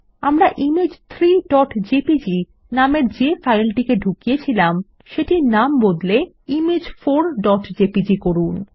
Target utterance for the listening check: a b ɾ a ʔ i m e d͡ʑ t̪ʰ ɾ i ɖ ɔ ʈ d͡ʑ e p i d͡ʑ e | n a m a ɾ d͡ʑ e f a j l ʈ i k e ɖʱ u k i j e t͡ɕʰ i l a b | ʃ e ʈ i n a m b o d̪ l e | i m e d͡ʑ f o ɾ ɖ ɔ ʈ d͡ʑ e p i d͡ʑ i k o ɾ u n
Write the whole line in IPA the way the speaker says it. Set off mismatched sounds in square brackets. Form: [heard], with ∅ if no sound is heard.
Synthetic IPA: a [m] ɾ a ʔ i m e d͡ʑ t̪ʰ ɾ i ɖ ɔ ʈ d͡ʑ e p i d͡ʑ [i] | n a m [e] ɾ d͡ʑ e f a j l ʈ i k e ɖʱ u k i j e t͡ɕʰ i l a [m] | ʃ e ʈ i n a m b o d̪ l e | i m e d͡ʑ f o ɾ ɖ ɔ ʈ d͡ʑ e p i d͡ʑ i k o ɾ u n